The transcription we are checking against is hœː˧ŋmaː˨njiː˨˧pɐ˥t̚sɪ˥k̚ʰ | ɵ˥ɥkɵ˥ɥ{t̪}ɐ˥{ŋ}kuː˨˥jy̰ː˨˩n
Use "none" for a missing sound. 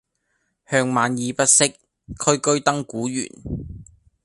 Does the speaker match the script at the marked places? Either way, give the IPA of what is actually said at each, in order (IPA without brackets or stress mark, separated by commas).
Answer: t̪, ŋ